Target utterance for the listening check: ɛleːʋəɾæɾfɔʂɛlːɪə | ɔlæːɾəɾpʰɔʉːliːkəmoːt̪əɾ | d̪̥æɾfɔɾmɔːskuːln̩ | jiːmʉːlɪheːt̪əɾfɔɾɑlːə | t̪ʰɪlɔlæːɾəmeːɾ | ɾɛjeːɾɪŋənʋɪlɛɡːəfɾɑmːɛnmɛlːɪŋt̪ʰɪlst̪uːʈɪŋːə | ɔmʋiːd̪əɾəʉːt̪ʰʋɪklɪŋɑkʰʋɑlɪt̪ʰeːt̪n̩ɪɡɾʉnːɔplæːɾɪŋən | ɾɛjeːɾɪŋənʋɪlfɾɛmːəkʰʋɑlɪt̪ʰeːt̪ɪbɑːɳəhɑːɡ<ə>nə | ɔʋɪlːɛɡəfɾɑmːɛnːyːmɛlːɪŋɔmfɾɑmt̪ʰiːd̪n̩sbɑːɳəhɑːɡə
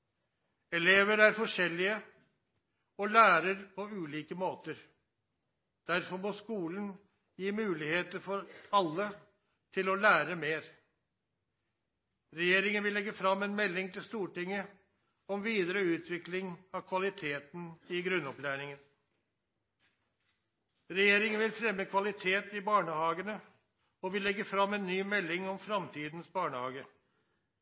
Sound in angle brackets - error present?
no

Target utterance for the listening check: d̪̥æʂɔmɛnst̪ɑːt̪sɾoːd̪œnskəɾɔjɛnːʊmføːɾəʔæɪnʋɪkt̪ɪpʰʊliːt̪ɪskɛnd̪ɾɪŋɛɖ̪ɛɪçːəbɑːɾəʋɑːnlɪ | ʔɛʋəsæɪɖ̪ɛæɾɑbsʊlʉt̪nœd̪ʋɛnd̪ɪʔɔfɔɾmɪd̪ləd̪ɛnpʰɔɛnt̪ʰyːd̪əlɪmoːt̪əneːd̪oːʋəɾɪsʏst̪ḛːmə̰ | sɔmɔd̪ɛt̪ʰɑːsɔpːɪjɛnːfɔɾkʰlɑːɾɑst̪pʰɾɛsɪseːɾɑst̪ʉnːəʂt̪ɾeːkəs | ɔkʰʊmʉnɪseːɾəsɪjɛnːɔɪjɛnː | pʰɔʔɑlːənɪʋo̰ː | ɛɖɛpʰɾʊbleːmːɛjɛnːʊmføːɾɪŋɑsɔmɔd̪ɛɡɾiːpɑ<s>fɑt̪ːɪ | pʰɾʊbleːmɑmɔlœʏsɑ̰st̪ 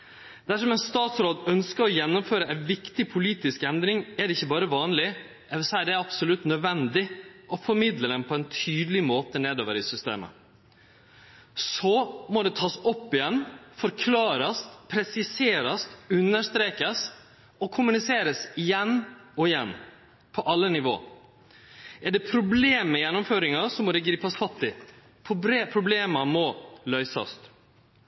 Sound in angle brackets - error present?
no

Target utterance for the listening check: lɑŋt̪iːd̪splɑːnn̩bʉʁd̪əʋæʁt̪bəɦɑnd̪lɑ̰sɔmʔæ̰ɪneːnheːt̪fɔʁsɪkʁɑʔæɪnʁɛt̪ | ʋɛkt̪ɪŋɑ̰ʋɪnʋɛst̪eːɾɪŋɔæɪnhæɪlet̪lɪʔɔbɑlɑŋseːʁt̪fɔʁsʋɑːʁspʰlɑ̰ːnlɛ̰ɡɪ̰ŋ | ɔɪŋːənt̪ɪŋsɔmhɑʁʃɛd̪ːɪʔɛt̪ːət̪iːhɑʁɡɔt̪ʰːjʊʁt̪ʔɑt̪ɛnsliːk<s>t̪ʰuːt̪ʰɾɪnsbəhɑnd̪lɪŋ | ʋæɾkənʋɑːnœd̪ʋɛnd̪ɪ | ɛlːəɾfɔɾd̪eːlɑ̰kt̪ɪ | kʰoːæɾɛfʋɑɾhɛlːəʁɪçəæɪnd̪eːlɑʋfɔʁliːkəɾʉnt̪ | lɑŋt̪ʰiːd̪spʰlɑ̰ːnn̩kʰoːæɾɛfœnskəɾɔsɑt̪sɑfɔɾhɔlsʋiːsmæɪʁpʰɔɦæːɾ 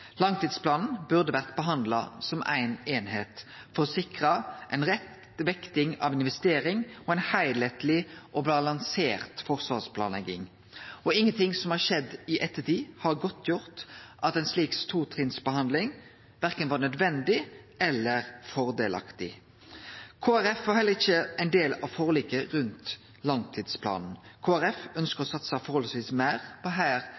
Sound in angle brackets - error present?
no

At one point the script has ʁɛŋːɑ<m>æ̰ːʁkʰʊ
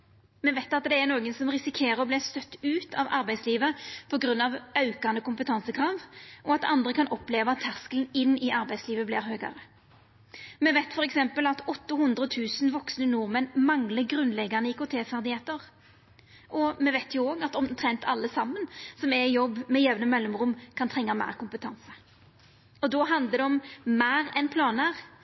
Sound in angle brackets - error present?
no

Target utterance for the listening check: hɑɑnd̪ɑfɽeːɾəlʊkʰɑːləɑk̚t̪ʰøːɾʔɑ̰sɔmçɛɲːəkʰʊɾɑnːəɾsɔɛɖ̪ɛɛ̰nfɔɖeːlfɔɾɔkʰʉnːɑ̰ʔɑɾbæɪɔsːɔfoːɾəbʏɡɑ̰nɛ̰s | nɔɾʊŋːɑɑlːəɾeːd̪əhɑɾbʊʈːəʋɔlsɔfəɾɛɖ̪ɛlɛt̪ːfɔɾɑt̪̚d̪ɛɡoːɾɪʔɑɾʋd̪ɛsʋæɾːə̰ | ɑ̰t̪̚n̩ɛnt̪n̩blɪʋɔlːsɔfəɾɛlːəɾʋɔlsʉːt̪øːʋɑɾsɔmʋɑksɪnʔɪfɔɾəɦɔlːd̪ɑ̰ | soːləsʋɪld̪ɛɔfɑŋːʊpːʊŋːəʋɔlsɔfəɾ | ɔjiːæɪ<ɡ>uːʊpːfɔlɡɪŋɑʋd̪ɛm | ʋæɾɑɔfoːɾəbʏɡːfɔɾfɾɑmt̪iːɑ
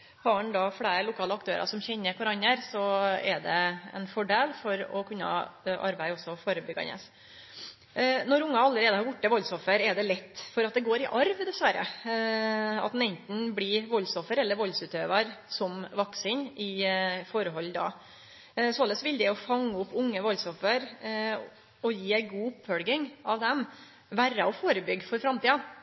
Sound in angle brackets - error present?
no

